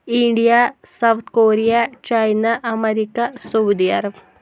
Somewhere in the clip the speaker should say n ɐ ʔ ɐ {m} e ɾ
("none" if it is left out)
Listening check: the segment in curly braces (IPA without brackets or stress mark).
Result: m